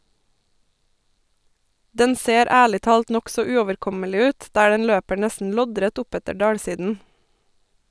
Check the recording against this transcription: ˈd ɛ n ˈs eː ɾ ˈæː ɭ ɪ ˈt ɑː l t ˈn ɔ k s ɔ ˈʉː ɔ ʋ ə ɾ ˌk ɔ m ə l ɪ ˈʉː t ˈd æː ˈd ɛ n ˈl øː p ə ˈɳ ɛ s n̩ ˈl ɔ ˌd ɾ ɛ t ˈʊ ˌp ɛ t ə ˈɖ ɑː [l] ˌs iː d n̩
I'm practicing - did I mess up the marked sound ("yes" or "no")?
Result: yes